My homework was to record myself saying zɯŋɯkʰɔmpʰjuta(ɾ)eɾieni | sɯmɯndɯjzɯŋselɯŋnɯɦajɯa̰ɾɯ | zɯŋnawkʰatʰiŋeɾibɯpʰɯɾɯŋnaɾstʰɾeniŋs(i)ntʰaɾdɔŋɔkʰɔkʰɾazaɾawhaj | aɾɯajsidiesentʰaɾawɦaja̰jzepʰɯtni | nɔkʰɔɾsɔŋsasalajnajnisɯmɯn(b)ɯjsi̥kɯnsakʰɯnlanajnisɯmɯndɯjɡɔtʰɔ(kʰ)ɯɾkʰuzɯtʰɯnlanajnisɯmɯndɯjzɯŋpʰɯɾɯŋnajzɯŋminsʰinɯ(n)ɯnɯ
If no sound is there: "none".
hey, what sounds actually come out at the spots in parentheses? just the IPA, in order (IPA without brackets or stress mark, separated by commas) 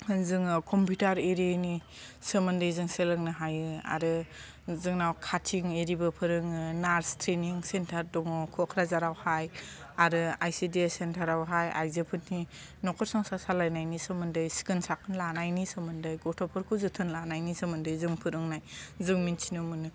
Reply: ɾ, e, d, pʰ, m